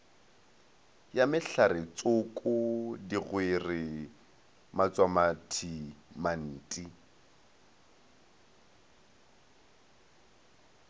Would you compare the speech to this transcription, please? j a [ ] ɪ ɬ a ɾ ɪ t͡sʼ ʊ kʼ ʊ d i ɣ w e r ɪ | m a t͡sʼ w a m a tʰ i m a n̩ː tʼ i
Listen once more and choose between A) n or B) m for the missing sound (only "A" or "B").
B